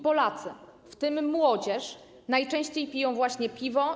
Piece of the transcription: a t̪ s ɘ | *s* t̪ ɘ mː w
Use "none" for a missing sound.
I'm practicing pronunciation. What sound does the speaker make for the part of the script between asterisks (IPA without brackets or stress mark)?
f